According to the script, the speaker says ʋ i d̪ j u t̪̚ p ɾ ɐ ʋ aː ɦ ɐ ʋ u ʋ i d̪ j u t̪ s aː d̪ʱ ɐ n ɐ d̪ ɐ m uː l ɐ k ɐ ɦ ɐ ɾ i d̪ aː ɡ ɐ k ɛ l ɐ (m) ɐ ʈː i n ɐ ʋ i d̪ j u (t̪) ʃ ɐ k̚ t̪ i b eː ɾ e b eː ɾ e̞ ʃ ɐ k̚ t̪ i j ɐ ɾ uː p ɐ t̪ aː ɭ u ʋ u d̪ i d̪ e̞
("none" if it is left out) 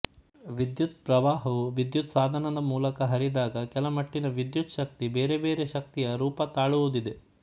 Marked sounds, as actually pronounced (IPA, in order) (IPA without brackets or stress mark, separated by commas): m, t̪